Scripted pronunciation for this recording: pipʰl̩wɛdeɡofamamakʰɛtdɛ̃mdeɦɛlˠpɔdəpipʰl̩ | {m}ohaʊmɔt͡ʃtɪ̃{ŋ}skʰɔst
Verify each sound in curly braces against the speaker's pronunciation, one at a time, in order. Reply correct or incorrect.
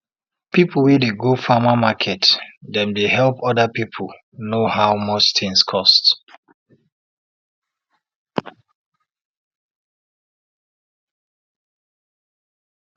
incorrect, correct

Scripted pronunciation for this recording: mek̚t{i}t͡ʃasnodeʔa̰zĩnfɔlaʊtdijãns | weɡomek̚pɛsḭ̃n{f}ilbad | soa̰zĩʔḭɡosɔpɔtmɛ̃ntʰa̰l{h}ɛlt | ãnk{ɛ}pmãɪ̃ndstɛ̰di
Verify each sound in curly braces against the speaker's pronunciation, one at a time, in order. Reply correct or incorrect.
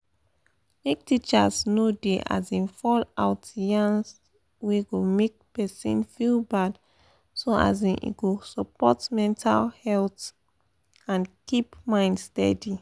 correct, correct, correct, incorrect

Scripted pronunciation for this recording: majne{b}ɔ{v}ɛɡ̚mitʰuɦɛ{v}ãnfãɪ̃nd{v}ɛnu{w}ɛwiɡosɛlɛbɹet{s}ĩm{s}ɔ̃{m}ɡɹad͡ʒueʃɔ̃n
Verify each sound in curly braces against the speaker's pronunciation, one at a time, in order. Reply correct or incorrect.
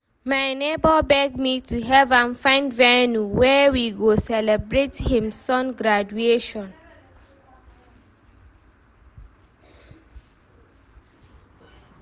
correct, incorrect, correct, correct, correct, incorrect, correct, incorrect

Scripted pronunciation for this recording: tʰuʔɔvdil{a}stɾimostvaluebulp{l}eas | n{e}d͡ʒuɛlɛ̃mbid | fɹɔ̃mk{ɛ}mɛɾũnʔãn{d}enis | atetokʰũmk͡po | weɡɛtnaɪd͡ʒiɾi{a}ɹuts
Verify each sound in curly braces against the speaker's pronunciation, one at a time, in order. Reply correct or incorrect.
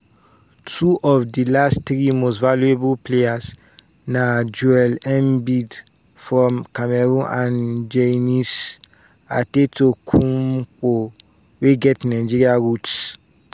correct, correct, incorrect, incorrect, incorrect, correct

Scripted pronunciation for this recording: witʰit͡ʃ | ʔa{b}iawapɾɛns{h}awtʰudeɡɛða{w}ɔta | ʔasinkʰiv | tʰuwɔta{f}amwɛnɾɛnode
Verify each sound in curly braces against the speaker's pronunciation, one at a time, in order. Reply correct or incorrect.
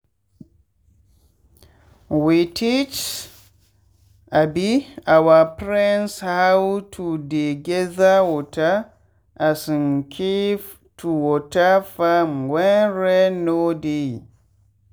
correct, correct, correct, correct

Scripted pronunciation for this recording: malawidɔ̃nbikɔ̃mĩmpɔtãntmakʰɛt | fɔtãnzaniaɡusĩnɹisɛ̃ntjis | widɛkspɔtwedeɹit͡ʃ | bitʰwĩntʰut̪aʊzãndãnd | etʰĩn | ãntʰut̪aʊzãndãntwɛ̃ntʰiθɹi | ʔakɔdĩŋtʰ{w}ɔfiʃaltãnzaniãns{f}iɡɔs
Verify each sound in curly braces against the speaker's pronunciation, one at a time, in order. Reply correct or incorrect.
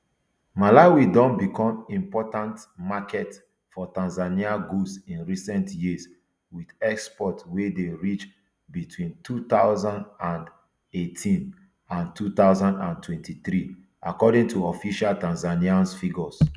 incorrect, correct

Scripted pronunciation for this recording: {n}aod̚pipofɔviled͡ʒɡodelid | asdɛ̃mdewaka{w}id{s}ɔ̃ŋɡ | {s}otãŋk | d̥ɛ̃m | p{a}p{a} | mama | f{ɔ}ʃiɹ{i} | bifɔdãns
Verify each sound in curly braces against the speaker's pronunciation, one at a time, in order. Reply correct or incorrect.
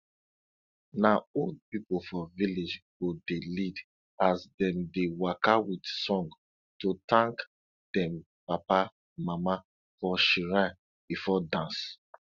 correct, correct, correct, incorrect, correct, correct, correct, incorrect

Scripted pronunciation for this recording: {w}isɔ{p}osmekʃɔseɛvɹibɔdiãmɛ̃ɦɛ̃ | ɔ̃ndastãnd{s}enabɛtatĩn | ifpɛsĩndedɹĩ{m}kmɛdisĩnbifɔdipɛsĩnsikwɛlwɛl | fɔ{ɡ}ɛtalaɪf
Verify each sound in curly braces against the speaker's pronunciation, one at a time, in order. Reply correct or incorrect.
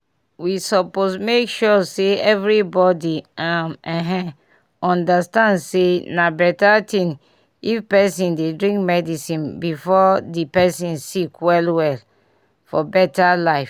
correct, correct, correct, incorrect, incorrect

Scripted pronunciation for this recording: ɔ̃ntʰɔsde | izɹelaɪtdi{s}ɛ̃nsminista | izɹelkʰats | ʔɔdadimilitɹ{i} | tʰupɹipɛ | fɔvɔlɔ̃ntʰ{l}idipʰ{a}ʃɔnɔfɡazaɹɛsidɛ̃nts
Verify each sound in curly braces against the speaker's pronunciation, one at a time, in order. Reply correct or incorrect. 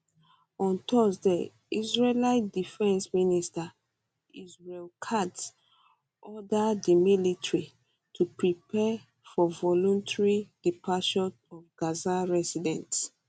incorrect, correct, incorrect, correct

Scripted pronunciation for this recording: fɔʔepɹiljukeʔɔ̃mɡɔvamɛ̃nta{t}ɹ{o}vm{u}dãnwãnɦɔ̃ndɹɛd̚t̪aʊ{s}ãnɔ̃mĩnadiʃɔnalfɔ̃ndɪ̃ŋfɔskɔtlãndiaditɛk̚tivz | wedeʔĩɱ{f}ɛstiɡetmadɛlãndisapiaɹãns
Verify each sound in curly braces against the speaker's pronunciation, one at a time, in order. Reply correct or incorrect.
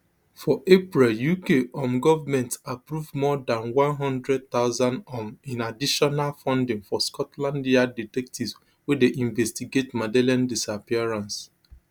incorrect, incorrect, incorrect, incorrect, incorrect

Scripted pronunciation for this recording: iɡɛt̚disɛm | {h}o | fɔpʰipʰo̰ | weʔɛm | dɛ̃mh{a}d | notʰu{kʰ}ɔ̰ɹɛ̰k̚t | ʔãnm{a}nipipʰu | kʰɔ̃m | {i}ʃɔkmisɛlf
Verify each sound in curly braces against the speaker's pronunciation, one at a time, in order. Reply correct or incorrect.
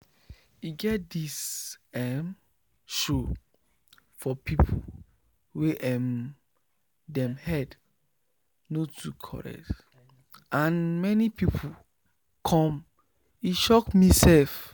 incorrect, incorrect, correct, incorrect, correct

